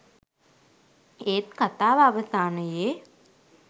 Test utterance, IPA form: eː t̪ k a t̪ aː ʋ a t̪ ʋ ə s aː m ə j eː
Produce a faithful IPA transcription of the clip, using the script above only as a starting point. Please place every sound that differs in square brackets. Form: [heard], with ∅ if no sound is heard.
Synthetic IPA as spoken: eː t̪ k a t̪ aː ʋ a [∅] ʋ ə s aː [n] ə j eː